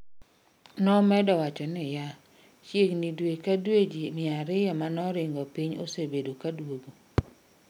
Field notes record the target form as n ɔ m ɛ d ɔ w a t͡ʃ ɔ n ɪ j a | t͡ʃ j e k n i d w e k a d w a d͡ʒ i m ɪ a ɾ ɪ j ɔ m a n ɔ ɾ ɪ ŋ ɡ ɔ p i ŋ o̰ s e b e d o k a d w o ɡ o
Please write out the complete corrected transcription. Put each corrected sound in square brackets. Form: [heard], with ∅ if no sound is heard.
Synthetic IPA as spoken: n ɔ m ɛ d ɔ w a t͡ʃ ɔ n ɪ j a | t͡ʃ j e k n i d w e k a d w [e] d͡ʒ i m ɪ a ɾ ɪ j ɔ m a n ɔ ɾ ɪ ŋ ɡ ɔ p i [ɲ] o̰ s e b e d o k a d w o ɡ o